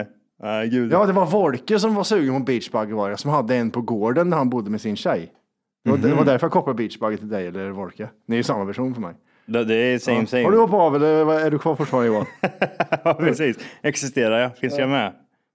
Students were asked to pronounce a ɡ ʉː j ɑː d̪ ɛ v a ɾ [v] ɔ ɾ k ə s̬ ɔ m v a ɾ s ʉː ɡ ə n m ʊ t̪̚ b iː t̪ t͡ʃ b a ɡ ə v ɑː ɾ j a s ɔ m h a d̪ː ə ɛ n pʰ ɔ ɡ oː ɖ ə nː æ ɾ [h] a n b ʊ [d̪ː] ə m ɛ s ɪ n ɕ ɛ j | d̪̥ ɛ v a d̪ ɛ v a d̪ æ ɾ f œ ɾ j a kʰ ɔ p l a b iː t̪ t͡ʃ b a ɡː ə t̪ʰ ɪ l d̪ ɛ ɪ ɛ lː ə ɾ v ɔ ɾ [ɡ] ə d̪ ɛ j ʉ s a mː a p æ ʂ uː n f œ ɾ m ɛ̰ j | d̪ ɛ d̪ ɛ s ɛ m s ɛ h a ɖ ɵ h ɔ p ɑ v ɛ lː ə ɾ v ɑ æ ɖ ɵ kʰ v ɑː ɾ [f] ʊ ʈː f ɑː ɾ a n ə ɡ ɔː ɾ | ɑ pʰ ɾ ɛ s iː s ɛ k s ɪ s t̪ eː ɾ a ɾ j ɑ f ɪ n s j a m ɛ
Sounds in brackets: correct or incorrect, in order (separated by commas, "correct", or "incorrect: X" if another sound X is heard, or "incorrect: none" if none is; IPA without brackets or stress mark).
correct, correct, correct, incorrect: k, correct